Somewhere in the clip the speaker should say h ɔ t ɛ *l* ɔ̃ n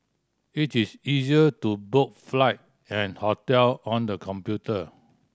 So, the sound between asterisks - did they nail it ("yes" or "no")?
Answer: yes